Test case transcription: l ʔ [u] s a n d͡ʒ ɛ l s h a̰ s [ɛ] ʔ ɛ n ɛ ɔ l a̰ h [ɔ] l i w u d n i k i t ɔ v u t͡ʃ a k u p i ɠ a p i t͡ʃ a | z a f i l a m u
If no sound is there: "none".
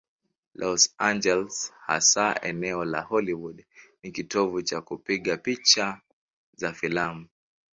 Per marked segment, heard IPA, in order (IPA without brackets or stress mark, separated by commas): ɔ, a, ɔ